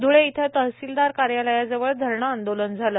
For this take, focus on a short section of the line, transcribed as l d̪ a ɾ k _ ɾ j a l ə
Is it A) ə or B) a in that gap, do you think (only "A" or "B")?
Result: B